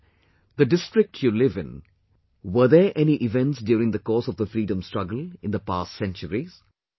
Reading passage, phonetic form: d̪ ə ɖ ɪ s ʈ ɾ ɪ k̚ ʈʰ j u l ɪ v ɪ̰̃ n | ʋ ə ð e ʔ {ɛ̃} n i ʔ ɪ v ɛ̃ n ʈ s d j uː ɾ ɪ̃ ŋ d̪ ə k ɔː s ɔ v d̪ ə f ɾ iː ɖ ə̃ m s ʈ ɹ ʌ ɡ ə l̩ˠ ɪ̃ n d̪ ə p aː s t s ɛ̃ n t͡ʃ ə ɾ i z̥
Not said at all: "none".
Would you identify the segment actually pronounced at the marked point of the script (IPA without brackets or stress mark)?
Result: ɛ